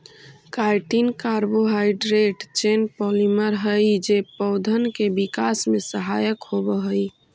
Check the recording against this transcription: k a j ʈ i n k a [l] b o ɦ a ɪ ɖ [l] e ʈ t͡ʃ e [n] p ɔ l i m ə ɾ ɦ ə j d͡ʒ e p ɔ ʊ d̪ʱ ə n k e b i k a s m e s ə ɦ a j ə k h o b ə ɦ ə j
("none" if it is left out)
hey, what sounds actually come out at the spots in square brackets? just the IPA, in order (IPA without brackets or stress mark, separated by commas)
ɾ, ɾ, n